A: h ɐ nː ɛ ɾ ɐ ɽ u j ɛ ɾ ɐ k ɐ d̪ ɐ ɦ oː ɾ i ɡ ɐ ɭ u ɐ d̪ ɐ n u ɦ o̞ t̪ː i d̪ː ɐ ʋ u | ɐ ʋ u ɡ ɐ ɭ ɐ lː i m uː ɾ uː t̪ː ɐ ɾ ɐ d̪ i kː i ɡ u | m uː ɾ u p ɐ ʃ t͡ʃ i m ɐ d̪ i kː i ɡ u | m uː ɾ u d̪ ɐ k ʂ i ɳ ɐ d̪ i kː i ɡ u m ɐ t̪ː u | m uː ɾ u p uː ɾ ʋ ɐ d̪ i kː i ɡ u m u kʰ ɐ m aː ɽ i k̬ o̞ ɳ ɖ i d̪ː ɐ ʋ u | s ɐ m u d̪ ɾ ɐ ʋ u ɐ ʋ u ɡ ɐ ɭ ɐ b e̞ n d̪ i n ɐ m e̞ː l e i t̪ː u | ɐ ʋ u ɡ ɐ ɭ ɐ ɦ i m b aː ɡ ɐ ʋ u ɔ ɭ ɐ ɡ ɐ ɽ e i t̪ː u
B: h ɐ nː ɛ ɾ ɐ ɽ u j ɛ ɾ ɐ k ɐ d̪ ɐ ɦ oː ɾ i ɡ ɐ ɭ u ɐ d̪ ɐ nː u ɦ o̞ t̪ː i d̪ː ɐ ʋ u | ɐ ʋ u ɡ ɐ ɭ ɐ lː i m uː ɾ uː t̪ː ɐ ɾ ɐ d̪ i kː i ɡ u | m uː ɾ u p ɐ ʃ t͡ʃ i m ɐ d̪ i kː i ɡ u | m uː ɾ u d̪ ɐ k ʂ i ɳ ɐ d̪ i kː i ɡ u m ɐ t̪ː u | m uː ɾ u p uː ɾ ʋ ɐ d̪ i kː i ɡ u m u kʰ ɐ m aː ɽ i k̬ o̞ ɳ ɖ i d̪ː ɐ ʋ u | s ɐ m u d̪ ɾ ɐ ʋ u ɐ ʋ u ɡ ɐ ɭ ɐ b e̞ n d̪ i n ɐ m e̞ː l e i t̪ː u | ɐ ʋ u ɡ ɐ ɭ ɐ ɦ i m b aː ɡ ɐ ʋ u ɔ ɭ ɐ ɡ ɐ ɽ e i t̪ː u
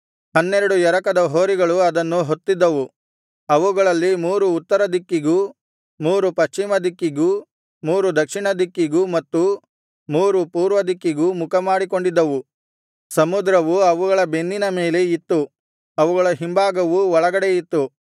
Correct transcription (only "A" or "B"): B